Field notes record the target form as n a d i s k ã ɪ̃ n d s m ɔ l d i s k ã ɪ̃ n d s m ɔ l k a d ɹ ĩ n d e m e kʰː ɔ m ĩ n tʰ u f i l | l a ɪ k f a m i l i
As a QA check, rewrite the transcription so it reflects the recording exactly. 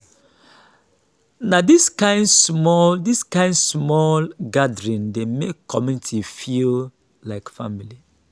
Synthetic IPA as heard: n a d i s k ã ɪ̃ n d s m ɔ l d i s k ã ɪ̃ n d s m ɔ l ɡ a d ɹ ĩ n d e m e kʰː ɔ m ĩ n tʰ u f i l | l a ɪ k f a m i l i